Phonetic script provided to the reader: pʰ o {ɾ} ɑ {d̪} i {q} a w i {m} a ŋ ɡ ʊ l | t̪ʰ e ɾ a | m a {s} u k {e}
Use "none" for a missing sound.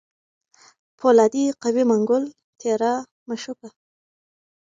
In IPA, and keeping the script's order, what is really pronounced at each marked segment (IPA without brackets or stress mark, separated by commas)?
l, d̪, q, m, ʃ, a